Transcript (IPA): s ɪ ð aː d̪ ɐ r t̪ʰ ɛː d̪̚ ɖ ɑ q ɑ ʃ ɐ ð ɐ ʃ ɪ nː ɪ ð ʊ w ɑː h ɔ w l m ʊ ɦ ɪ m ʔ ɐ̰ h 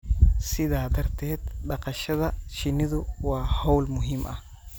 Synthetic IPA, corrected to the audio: s ɪ ð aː d̪ ɐ r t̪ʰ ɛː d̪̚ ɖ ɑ q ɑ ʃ ɐ ð ɐ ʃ ɪ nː ɪ ð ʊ w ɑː h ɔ w l m ʊ ɦ ɪ m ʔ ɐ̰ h